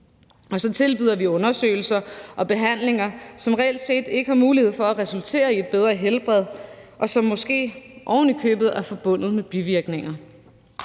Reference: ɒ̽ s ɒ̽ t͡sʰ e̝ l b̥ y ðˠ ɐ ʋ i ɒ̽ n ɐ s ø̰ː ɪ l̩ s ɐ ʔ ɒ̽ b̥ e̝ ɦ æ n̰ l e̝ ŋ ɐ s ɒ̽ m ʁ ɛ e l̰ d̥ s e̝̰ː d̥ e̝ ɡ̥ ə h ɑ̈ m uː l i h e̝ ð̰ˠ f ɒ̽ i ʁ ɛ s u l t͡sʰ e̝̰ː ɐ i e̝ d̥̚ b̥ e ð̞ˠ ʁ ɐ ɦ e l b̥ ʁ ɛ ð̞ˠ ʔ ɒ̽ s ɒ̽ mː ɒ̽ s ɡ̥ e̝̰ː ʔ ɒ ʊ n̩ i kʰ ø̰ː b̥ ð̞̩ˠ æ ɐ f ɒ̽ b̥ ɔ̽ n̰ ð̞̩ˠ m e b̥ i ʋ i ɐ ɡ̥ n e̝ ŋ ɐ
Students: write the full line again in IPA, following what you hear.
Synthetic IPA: ɒ̽ s ɒ̽ t͡sʰ e̝ l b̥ y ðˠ ɐ ʋ i ɔ̽ n ɐ s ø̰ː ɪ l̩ s ɐ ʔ ɒ̽ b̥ e̝ ɦ æ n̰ l e̝ ŋ ɐ s ɒ̽ m ʁ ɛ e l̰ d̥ s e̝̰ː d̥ e̝ ɡ̥ ə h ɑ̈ m uː l i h e̝ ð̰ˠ f ɒ̽ æ ʁ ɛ s u l t͡sʰ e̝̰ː ɐ i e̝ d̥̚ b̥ e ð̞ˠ ʁ ɐ ɦ e l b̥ ʁ ɛ ð̞ˠ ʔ ɒ̽ s ɒ̽ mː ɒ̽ s ɡ̥ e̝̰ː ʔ ɒ ʊ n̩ i kʰ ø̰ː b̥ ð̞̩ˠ æ ɐ f ɒ̽ b̥ ɔ̽ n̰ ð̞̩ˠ m e b̥ i ʋ i ɐ ɡ̥ n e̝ ŋ ɐ